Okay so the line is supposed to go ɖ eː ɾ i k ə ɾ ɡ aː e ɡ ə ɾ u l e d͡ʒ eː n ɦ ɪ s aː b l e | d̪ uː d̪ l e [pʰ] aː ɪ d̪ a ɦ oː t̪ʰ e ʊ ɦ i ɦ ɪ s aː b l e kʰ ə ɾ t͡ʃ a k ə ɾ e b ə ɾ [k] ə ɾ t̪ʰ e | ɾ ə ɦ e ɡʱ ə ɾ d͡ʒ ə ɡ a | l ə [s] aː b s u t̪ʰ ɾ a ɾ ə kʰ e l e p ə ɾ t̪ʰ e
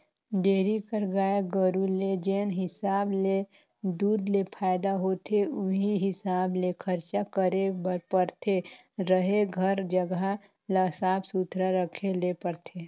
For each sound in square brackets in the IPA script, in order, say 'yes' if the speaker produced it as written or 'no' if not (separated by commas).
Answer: yes, no, yes